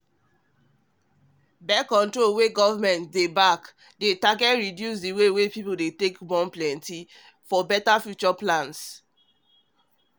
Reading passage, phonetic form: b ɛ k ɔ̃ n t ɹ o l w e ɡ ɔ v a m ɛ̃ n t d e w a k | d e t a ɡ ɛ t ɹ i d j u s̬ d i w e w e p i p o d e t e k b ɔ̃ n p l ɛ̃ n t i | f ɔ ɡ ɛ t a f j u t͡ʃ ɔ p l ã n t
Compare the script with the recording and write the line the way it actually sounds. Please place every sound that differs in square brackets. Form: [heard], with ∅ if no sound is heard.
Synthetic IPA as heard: b ɛ k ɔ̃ n t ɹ o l w e ɡ ɔ v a m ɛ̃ n t d e [b] a k | d e t a ɡ ɛ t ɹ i d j u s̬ d i w e w e p i p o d e t e k b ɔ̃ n p l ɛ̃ n t i | f ɔ [b] ɛ t a f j u t͡ʃ ɔ p l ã n [s]